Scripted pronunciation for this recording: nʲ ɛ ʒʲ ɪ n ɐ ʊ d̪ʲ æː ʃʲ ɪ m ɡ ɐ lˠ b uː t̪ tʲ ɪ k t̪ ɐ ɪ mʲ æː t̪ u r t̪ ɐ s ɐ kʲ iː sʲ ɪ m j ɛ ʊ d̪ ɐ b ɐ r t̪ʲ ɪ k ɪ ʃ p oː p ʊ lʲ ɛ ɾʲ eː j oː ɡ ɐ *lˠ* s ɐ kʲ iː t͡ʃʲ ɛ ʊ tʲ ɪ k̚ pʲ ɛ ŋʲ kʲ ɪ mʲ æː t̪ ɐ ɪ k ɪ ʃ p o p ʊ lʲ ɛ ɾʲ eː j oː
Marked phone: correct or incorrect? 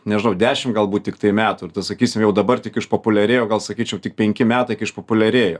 correct